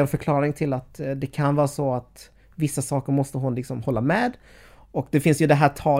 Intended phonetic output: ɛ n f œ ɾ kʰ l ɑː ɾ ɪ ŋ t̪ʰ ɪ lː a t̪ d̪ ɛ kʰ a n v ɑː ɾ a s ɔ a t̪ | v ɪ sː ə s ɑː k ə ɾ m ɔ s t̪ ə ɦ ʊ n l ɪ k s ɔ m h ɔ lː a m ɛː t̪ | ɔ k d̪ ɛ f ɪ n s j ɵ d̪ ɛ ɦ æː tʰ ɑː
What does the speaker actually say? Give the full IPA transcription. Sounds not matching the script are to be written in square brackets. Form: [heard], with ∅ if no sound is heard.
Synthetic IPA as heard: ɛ n f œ ɾ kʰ l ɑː ɾ ɪ ŋ t̪ʰ ɪ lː a t̪ d̪ ɛ kʰ a n v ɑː ɾ a s ɔ a t̪ | v ɪ sː [a] s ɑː k ə ɾ m ɔ s t̪ ə ɦ ʊ n l ɪ k s ɔ m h ɔ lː a m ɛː [d̪] | ɔ k d̪ ɛ f ɪ n s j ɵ d̪ ɛ ɦ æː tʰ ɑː